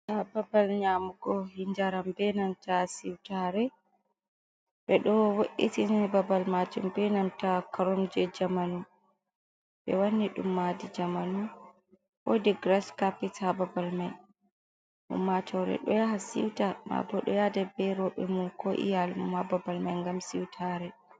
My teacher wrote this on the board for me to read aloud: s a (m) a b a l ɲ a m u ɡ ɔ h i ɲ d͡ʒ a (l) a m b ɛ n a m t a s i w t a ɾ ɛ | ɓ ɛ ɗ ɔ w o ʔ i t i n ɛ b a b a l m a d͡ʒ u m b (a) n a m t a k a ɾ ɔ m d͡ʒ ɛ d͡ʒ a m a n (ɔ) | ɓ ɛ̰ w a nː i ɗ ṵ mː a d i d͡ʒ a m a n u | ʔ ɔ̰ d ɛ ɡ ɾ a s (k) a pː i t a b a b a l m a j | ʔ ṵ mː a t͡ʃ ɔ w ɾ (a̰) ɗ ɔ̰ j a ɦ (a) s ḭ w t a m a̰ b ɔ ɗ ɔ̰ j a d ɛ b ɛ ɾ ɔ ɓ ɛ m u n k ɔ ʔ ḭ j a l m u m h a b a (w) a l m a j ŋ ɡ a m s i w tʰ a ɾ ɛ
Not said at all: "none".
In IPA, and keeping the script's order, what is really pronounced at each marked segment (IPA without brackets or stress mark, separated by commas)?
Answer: b, ɾ, ɛ, u, k, ɛ̰, a, b